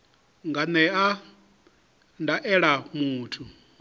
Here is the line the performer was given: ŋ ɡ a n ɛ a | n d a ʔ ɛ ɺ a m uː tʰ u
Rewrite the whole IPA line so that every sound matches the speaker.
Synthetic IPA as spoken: ŋ ɡ a n ɛ a | n d a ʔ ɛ ɺ a m uː tʰ u